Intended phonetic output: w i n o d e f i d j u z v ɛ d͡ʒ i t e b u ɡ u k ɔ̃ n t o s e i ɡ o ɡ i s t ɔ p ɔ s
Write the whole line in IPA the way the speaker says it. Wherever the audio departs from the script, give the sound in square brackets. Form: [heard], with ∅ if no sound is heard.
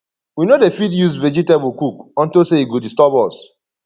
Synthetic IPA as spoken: w i n o d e f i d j u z v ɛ d͡ʒ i t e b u [k] u k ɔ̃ n t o s e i ɡ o [d] i s t ɔ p ɔ s